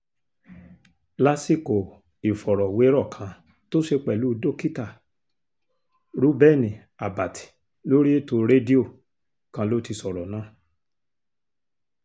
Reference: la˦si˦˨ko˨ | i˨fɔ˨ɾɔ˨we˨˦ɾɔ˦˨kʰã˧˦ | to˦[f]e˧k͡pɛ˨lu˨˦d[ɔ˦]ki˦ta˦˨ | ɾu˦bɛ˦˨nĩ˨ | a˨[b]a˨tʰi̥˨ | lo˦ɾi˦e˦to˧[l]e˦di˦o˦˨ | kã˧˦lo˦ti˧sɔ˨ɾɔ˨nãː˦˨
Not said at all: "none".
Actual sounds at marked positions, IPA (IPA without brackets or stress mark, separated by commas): ʃ, o˦, b, ɾ